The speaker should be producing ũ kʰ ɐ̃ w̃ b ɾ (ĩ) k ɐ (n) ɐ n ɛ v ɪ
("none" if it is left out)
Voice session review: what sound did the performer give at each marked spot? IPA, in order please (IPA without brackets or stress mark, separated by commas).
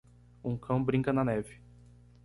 ĩ, n